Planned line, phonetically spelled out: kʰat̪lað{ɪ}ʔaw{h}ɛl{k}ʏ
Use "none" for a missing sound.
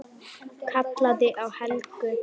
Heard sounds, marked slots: ɪ, h, k

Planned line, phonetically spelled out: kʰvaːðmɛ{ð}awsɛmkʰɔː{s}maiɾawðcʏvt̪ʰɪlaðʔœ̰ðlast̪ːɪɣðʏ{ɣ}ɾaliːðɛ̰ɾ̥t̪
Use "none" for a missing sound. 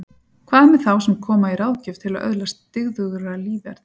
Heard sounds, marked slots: θ, none, ɣ

